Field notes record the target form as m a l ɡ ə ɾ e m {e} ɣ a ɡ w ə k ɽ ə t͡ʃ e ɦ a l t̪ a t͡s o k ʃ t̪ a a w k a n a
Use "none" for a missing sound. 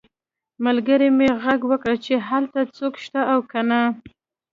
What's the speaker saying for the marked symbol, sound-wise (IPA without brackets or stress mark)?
e